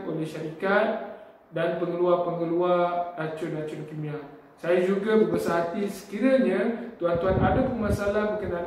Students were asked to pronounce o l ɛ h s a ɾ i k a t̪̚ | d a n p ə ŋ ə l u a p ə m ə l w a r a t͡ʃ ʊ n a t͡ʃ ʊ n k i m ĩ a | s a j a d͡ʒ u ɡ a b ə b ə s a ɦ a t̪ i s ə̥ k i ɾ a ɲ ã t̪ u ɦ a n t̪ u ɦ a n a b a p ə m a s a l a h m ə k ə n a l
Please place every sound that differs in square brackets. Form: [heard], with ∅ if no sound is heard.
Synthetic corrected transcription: o l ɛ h [ʃ] a ɾ i k a t̪̚ | d a n p ə ŋ ə l u a p ə [ŋ] ə l [u] a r a t͡ʃ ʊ n a t͡ʃ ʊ n k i m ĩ a | s a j a d͡ʒ u ɡ a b ə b ə s a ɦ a t̪ i s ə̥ k i ɾ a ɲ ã t̪ u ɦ a n t̪ u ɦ a n a [d] a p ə m a s a l a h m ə k ə n a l